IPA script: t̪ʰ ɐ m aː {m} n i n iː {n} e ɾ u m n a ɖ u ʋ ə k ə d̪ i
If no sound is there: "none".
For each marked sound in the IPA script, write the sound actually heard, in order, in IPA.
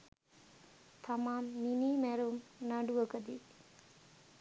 m, m

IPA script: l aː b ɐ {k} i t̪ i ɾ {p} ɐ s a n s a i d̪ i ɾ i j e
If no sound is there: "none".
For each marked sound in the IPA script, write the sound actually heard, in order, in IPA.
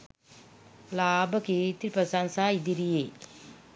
k, p

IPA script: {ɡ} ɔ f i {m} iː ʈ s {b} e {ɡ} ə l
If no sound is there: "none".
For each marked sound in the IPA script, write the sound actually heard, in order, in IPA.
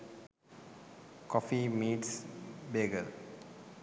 k, m, b, ɡ

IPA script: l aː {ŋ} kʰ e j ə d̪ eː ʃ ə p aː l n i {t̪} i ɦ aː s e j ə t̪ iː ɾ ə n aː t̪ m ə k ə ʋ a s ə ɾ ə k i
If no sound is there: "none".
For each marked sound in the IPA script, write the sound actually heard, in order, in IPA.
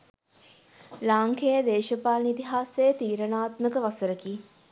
ŋ, t̪

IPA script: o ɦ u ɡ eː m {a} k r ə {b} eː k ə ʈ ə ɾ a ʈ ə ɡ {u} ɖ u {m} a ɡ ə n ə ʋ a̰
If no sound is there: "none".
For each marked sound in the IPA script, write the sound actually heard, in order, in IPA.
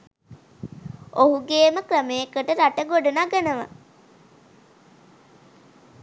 ə, m, o, n

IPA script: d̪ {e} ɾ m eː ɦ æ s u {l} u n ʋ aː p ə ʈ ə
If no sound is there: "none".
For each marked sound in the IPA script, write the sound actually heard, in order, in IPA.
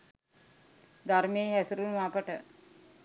a, ɾ

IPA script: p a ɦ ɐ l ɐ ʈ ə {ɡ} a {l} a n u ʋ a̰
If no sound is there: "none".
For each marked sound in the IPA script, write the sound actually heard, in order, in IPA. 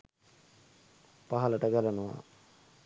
ɡ, l

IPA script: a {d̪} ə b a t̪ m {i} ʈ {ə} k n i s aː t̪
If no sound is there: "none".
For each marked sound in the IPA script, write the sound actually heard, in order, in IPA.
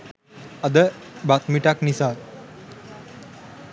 d̪, i, a

